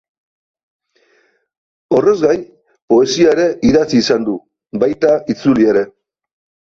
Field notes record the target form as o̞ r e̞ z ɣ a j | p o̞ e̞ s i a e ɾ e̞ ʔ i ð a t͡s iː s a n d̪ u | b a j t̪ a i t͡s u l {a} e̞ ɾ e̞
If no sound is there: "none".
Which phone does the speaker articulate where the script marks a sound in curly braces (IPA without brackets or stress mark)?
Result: i